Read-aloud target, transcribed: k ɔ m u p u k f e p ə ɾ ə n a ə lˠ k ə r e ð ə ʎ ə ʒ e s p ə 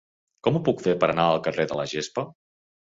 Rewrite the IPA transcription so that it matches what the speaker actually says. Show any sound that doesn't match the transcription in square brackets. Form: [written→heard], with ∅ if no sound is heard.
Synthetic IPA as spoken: k ɔ m u p u k f e p ə ɾ ə n a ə lˠ k ə r e ð ə [ʎ→l] ə ʒ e s p ə